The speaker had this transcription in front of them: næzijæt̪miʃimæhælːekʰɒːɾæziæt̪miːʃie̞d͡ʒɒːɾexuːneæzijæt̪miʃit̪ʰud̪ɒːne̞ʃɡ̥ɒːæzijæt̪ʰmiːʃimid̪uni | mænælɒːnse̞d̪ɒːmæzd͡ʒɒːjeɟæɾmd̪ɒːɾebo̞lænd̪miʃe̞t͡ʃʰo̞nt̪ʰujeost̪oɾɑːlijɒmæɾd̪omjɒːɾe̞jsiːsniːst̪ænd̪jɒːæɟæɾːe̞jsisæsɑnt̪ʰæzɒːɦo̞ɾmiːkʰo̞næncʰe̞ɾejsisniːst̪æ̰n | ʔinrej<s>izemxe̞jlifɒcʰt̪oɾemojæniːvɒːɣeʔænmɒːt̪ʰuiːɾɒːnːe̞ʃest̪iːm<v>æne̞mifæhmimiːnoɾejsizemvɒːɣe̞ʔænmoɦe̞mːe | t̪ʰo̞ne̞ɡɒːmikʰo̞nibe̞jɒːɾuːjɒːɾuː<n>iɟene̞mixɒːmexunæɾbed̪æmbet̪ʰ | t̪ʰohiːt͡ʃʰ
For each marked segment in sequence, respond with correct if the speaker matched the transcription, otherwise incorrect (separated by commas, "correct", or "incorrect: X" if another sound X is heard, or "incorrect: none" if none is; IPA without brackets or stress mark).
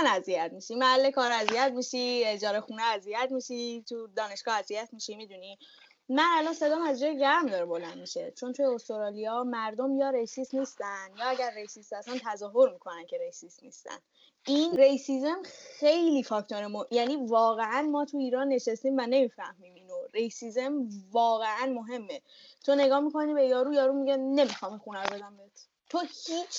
correct, correct, incorrect: m